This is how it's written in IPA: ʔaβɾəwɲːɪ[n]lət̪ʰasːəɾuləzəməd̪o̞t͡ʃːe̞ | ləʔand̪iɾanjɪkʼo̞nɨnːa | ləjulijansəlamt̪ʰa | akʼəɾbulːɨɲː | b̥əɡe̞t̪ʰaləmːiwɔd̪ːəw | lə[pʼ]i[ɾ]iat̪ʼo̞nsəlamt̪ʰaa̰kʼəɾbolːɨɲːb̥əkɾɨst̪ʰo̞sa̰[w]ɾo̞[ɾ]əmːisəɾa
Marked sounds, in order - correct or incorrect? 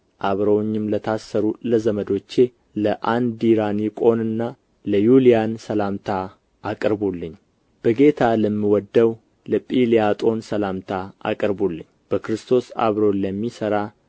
incorrect, correct, incorrect, incorrect, incorrect

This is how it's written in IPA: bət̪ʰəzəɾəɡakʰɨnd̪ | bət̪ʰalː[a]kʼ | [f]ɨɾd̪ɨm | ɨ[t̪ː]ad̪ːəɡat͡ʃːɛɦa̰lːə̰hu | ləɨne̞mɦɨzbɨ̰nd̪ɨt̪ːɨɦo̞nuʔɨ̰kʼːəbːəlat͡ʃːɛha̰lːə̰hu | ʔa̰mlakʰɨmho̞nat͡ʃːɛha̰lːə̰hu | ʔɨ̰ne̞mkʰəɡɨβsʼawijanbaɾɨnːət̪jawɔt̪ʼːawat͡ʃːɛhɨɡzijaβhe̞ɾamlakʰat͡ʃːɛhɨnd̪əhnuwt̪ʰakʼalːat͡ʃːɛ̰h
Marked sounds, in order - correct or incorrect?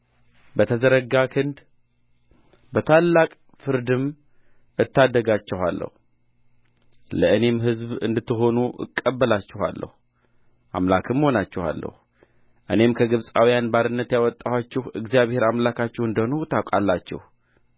correct, correct, correct

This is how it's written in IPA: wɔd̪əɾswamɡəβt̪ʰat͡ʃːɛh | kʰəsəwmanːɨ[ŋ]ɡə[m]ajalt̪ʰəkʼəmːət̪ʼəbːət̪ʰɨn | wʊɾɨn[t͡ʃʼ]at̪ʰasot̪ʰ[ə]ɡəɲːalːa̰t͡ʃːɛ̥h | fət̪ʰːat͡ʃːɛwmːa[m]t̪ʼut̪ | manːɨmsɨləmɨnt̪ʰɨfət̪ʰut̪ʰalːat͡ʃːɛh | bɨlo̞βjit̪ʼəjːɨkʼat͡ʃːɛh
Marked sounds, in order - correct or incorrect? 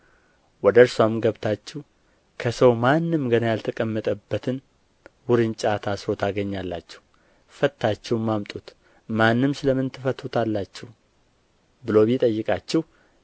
incorrect, incorrect, correct, incorrect, correct

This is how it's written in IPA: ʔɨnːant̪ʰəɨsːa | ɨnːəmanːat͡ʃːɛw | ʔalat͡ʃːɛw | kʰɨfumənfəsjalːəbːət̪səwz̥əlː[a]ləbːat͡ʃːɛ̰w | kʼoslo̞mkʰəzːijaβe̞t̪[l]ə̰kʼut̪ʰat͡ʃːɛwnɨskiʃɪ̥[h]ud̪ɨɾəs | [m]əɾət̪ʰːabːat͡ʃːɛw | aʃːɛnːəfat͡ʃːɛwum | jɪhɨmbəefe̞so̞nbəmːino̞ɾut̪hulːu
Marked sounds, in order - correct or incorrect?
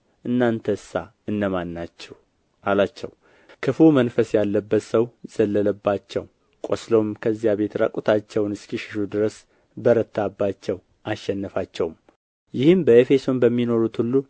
incorrect, incorrect, incorrect, incorrect

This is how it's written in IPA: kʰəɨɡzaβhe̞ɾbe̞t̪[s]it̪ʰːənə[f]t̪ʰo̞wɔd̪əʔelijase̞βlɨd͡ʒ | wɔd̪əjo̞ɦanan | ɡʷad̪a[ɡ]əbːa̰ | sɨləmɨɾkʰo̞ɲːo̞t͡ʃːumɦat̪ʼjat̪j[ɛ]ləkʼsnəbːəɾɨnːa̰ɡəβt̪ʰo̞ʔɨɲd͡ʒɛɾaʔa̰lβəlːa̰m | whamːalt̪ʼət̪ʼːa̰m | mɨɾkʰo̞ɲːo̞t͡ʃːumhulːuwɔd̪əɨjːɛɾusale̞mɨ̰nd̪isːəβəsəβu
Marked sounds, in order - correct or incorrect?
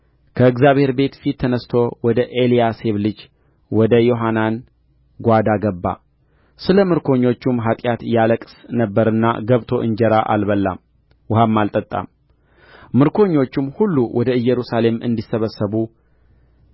incorrect, incorrect, correct, incorrect

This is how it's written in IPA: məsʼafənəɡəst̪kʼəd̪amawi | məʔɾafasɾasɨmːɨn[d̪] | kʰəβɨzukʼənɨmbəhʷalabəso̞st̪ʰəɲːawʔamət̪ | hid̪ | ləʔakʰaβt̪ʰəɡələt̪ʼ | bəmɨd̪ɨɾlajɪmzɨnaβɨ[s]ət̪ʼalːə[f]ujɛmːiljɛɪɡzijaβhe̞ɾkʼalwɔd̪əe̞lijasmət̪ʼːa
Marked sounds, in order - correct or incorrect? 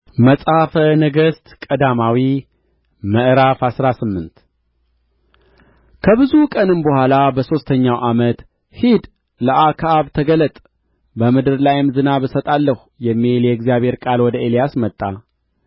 incorrect, correct, incorrect

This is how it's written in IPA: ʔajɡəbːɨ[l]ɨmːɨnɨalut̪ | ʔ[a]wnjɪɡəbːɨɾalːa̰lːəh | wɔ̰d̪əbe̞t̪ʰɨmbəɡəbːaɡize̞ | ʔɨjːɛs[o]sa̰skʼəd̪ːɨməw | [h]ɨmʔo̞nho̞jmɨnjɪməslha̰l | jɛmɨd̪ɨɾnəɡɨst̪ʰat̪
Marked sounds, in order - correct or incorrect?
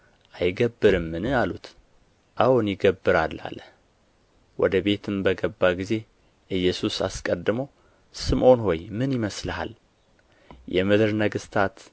incorrect, correct, incorrect, incorrect

